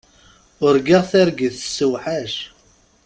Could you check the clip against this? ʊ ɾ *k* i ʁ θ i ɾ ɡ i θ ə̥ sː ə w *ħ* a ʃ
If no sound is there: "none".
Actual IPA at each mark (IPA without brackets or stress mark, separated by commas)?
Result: ɡ, ħ